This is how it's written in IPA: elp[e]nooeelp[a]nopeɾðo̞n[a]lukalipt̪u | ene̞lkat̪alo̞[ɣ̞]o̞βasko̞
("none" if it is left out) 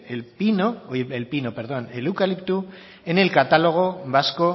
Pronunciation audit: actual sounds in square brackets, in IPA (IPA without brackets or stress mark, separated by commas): i, i, e, ɣ̞